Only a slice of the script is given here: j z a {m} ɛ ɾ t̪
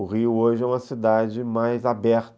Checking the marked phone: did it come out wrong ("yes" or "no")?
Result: yes